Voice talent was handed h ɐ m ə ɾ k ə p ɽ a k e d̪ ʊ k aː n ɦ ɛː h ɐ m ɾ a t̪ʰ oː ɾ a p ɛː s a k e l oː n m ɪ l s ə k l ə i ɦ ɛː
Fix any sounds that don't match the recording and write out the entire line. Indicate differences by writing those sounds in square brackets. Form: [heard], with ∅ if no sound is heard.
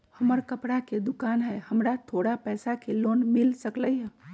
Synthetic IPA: h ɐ m ə ɾ k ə p ɽ a k e d̪ ʊ k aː n ɦ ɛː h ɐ m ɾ a t̪ʰ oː [ɽ] a p ɛː s a k e l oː n m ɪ l s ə k l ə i ɦ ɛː